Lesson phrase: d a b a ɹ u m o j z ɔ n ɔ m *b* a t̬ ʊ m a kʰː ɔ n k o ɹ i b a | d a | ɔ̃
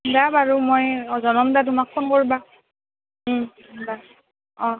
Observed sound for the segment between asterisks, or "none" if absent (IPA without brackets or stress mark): d